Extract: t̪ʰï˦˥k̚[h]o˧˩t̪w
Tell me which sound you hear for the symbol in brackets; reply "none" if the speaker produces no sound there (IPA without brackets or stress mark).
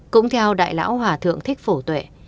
f